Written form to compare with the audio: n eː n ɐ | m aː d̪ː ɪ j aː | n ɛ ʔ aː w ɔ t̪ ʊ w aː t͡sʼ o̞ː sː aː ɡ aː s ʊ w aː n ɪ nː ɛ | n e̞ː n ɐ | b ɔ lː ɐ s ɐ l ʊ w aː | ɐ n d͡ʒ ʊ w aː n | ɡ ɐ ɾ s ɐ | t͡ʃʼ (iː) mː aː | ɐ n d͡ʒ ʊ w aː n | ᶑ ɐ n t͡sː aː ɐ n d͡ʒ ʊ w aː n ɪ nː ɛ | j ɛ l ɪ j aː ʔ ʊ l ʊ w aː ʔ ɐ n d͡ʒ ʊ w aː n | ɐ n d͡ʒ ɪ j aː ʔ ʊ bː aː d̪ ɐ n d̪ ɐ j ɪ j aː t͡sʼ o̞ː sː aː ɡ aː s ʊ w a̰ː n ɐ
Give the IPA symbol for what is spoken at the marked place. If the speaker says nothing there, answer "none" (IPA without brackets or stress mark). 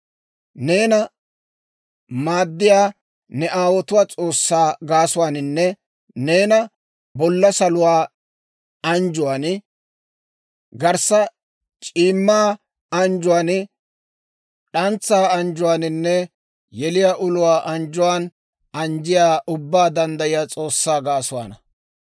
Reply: iː